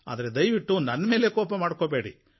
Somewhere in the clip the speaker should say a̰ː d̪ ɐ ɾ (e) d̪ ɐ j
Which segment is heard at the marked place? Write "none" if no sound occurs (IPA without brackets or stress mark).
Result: e